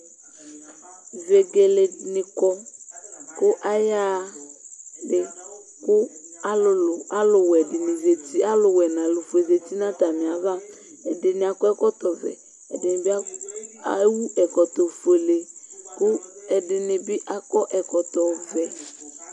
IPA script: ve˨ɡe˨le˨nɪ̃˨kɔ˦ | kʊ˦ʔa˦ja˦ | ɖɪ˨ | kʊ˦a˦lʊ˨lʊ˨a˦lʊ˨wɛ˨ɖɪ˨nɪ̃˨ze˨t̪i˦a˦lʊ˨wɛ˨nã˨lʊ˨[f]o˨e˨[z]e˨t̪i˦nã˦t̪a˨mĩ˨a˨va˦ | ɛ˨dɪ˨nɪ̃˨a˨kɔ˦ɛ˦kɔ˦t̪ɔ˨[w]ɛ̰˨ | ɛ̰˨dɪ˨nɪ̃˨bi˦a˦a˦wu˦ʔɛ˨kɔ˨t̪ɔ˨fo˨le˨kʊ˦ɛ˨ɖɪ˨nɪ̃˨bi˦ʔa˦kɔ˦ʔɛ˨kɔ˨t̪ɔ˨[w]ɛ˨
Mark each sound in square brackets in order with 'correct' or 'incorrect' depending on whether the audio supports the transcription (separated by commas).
correct, correct, incorrect, incorrect